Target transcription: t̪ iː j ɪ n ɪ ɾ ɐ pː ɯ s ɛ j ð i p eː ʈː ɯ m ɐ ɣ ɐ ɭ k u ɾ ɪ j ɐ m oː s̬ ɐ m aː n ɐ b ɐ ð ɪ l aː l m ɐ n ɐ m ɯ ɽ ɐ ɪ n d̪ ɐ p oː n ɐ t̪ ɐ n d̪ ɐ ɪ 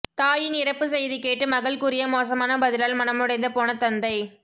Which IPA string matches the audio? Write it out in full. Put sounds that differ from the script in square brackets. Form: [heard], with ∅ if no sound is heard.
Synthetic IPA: t̪ [aː] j ɪ n ɪ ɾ ɐ pː ɯ s ɛ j ð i [k] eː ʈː ɯ m ɐ ɣ ɐ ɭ k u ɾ ɪ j ɐ m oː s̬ ɐ m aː n ɐ b ɐ ð ɪ l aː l m ɐ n ɐ m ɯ ɽ ɐ ɪ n d̪ ɐ p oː n ɐ t̪ ɐ n d̪ ɐ ɪ